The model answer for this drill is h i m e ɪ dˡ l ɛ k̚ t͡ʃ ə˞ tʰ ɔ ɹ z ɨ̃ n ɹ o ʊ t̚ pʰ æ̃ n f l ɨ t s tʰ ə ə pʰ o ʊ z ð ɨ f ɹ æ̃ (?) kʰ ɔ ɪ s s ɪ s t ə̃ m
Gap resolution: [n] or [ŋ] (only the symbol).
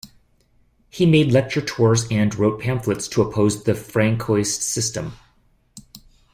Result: ŋ